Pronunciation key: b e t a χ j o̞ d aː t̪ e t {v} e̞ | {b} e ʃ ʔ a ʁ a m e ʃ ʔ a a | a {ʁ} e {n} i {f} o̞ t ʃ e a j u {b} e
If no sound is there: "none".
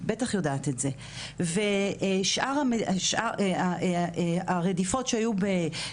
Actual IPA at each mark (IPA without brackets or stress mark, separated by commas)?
z, v, ʁ, d, f, b